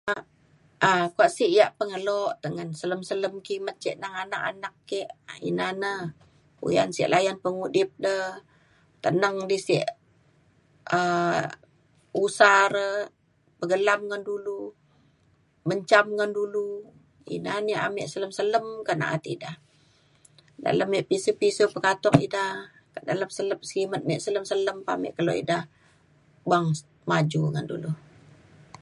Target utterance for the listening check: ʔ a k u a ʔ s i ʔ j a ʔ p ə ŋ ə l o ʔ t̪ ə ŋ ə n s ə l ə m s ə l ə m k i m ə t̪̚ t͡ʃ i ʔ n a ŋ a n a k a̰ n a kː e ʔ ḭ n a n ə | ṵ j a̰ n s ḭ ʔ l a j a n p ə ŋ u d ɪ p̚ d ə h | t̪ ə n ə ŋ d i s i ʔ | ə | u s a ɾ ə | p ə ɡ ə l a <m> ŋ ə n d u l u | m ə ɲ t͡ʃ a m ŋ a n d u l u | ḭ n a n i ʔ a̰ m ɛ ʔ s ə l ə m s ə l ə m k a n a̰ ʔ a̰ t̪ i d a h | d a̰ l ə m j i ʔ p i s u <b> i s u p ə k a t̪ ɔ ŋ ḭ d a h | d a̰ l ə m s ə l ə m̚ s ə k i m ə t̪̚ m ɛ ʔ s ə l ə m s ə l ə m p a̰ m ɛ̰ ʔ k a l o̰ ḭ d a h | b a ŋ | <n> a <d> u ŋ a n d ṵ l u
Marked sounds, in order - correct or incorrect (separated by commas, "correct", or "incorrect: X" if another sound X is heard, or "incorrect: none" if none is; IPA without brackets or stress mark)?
correct, incorrect: p, incorrect: m, incorrect: d͡ʒ